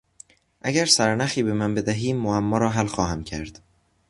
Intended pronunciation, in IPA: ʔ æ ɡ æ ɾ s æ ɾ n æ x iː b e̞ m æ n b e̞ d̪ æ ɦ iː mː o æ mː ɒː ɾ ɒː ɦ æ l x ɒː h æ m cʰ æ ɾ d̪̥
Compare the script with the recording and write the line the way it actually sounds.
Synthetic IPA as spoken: ʔ æ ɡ æ ɾ s æ ɾ n æ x iː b e̞ m æ n b e̞ d̪ æ ɦ iː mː o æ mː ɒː ɾ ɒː ɦ æ l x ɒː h æ m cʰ æ ɾ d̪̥